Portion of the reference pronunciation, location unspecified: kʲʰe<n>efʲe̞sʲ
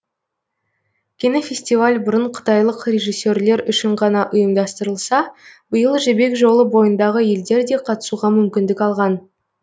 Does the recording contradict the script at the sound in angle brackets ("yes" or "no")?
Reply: no